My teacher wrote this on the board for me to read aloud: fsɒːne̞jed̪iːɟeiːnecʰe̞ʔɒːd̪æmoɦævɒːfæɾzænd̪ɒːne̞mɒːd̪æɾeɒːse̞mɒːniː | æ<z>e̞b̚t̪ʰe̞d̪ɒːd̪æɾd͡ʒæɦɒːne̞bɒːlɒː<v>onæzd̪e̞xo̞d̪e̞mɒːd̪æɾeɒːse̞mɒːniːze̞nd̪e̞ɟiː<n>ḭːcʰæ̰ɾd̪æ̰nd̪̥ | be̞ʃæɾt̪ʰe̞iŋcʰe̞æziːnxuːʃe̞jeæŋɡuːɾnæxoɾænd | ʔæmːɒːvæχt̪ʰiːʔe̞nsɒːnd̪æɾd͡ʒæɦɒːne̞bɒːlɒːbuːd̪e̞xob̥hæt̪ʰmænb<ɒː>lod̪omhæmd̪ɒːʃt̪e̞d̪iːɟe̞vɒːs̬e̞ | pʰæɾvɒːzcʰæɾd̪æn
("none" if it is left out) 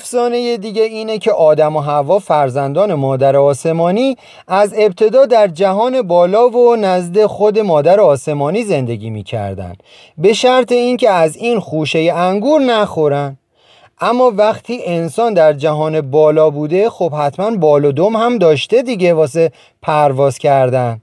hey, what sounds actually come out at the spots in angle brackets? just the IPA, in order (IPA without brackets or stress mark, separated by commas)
z, v, m, ɒː